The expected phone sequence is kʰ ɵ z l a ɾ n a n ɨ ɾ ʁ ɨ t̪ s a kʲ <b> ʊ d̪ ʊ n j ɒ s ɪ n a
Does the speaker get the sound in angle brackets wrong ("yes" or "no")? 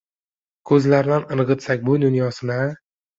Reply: no